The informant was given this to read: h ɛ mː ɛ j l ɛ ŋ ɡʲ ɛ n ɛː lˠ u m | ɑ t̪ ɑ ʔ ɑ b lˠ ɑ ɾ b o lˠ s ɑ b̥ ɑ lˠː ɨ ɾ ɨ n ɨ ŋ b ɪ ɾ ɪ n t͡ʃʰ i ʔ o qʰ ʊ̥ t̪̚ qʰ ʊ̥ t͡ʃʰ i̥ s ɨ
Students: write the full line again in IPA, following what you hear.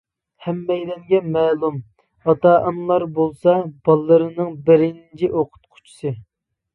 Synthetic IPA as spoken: h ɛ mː ɛ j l ɛ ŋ ɡʲ ɛ m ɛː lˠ u m | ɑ t̪ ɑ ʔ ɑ m lˠ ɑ ɾ b o lˠ s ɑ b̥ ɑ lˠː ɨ ɾ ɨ n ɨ ŋ b ɪ ɾ ɪ n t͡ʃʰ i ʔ o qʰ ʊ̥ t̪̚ qʰ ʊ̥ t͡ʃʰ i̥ s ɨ